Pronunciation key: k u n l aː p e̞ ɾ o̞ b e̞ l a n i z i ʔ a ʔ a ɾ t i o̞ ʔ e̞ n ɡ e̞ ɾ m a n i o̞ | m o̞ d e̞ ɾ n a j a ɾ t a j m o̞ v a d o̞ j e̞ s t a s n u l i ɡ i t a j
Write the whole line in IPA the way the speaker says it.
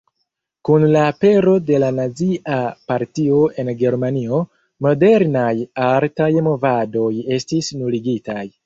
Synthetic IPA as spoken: k u n l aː p e̞ ɾ o̞ d e̞ l a n a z i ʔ a p a ɾ t i o̞ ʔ e̞ n ɡ e̞ ɾ m a n i o̞ | m o̞ d e̞ ɾ n a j a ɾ t a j m o̞ v a d o̞ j e̞ s t i s n u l i ɡ i t a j